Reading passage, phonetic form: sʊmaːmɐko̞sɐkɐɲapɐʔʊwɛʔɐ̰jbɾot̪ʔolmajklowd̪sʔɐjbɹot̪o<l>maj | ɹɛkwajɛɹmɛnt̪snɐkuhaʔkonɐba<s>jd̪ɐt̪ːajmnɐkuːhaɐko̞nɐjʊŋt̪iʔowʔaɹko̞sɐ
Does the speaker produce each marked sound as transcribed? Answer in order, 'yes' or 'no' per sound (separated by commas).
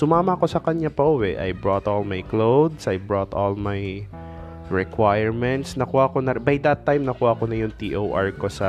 yes, no